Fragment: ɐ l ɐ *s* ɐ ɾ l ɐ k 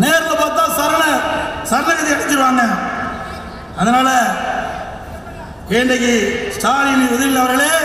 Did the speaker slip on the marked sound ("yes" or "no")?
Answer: no